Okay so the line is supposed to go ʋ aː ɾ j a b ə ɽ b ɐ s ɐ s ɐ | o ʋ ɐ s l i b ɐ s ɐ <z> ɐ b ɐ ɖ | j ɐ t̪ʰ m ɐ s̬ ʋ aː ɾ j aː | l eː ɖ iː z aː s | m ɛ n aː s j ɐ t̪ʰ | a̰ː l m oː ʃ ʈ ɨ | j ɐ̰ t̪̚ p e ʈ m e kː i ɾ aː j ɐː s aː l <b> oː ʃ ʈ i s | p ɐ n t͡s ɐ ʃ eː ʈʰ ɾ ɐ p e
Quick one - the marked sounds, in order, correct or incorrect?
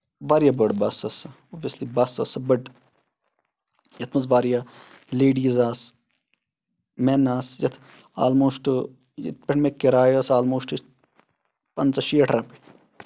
incorrect, incorrect

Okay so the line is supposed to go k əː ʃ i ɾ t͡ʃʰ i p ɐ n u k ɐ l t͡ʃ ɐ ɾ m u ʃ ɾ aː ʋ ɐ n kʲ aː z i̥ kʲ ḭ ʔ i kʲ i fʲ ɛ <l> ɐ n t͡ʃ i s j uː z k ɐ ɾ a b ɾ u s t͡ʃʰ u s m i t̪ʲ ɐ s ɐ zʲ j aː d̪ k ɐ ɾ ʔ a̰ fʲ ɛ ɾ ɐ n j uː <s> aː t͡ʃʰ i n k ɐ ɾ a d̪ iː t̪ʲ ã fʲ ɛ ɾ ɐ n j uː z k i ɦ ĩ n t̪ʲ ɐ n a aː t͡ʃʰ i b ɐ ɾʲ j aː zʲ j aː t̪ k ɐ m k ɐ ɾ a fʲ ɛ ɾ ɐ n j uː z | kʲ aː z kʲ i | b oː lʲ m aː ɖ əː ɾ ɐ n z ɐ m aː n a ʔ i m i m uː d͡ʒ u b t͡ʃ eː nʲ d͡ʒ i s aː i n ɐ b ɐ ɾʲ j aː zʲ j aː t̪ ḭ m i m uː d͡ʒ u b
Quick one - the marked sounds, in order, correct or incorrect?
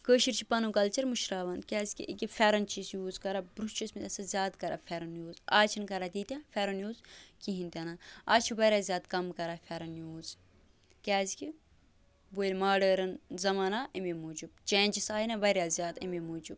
incorrect, incorrect

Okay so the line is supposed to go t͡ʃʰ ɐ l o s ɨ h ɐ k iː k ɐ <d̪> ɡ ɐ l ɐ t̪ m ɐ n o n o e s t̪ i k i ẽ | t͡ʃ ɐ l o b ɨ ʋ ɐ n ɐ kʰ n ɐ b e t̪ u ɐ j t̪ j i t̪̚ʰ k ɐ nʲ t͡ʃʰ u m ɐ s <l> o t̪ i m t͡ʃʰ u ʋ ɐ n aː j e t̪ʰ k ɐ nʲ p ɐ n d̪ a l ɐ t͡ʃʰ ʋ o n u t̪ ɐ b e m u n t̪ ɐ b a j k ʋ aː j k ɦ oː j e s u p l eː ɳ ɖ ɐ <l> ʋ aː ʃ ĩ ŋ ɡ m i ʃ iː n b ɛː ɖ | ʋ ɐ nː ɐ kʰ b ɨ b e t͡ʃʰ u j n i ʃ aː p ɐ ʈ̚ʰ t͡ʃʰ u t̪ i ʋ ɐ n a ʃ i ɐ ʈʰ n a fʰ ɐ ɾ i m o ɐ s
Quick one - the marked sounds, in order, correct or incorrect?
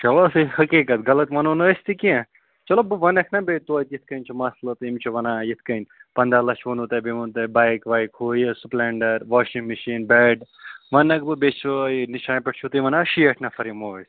incorrect, correct, incorrect

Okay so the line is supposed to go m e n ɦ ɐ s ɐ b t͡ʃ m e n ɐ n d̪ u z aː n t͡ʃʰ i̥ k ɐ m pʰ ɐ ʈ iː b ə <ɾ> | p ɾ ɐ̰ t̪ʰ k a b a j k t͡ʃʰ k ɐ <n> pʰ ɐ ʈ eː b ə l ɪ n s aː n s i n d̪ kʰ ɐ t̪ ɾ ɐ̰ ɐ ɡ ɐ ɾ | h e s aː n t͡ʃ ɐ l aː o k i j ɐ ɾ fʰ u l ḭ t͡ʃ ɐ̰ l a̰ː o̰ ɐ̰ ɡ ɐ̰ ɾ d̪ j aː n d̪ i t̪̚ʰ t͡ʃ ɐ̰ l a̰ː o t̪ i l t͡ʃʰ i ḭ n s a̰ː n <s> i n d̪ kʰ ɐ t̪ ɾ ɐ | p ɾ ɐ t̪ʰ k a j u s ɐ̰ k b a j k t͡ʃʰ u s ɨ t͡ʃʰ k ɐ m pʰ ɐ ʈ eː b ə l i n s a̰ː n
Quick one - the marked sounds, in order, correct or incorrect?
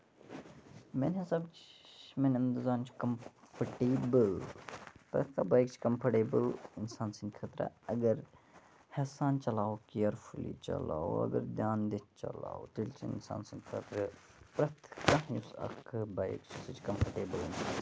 incorrect, incorrect, correct

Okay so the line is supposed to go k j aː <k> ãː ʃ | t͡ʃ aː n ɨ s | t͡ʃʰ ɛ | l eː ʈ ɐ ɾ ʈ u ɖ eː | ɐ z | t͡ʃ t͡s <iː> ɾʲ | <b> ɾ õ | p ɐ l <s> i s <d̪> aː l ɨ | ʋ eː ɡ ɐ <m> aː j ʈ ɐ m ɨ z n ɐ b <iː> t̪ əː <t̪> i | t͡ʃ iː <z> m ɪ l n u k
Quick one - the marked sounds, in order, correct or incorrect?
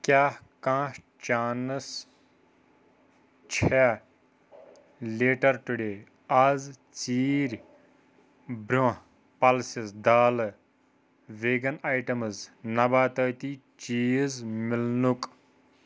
correct, correct, correct, correct, correct, incorrect, incorrect, correct, correct

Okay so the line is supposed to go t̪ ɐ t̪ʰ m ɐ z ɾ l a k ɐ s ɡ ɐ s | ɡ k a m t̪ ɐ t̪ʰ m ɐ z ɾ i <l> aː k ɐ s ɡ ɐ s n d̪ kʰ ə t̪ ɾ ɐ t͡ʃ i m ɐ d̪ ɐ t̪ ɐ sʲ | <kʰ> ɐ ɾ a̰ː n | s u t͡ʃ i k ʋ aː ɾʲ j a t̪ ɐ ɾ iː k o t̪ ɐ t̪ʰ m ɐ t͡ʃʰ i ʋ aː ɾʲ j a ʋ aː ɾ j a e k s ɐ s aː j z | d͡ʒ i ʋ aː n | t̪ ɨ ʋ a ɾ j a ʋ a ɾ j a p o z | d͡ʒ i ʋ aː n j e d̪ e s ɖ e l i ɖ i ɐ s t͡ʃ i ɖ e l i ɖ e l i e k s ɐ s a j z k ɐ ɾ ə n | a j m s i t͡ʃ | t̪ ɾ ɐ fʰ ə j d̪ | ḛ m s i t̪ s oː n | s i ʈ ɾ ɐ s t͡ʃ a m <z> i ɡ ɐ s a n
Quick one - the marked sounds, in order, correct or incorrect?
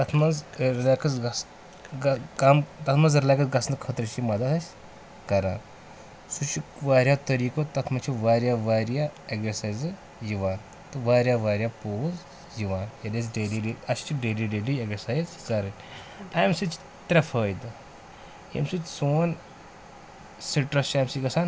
correct, incorrect, incorrect

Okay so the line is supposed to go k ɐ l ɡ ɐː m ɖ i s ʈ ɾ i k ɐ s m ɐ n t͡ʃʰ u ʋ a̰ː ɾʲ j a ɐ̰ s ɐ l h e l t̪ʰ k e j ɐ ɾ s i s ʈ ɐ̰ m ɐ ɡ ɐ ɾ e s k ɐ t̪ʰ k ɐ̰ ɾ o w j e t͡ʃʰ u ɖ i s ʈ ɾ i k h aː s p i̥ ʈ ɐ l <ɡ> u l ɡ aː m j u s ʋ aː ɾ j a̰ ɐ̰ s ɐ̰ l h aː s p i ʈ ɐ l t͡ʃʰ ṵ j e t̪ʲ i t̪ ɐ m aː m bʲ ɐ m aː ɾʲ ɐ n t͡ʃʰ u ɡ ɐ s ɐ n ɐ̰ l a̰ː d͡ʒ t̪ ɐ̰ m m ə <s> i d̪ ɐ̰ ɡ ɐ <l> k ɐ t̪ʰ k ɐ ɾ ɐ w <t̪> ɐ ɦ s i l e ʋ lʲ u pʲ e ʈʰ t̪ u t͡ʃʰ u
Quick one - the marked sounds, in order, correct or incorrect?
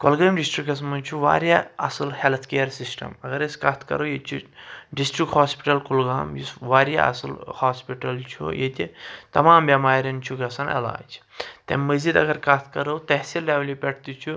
incorrect, incorrect, incorrect, correct

